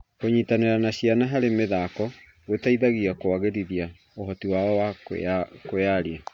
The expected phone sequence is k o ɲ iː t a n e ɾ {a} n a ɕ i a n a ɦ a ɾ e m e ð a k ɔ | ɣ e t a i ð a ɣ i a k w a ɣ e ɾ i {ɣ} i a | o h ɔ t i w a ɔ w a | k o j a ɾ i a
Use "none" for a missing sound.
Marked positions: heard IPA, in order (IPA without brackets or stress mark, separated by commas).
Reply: a, ð